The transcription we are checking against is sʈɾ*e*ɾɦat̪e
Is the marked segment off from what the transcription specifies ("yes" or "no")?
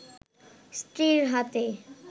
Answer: yes